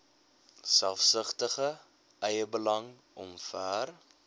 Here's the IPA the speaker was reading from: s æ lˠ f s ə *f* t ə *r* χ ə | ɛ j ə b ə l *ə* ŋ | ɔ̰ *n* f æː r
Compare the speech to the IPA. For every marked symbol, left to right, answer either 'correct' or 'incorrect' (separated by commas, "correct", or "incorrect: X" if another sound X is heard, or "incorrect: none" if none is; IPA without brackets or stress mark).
incorrect: χ, incorrect: none, incorrect: ɐ, incorrect: m